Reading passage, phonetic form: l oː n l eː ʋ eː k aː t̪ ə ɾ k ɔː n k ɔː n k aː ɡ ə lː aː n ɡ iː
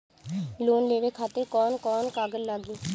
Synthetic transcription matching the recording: l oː n l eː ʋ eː kʰ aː t̪ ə ɾ k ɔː n k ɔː n k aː ɡ ə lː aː ɡ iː